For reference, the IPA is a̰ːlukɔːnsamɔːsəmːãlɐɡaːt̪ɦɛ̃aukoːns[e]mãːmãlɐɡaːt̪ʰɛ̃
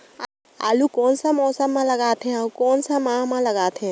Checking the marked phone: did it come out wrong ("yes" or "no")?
yes